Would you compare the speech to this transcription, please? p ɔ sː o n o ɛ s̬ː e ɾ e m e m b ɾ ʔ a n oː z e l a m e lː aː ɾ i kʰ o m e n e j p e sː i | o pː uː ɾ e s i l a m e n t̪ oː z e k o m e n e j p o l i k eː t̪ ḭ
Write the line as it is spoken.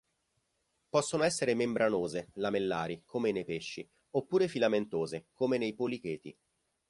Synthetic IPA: p ɔ sː o n o ɛ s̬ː e ɾ e m e m b ɾ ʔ a n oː z e l a m e lː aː ɾ i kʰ o m e n e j p e ʃː i | o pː uː ɾ e f i l a m e n t̪ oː z e k o m e n e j p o l i k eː t̪ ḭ